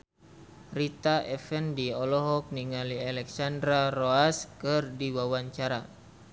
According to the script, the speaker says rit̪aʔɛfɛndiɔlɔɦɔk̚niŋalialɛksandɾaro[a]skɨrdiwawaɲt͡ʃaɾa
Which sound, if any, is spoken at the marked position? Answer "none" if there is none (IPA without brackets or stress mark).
a